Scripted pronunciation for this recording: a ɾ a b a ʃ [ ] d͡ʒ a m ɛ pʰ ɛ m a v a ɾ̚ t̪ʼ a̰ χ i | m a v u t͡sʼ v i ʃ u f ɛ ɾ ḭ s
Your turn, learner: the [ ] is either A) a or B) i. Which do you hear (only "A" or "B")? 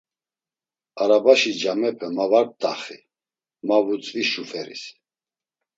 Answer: B